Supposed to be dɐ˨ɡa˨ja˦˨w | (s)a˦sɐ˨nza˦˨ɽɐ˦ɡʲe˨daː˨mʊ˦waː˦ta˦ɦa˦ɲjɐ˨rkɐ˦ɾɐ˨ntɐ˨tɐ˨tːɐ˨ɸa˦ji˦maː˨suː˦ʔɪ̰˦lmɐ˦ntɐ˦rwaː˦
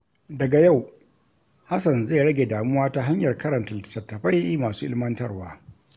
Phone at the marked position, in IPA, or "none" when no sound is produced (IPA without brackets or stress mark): h